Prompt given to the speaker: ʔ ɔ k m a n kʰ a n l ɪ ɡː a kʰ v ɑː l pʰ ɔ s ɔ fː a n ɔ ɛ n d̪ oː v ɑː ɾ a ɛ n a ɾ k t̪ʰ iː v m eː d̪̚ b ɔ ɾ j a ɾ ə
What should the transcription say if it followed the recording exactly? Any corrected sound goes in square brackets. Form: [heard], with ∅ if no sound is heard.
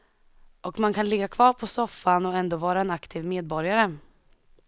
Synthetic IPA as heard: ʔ ɔ k m a n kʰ a n l ɪ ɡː a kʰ v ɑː [ɾ] pʰ ɔ s ɔ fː a n ɔ ɛ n d̪ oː v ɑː ɾ a ɛ n a [∅] k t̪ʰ iː v m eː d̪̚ b ɔ ɾ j a ɾ ə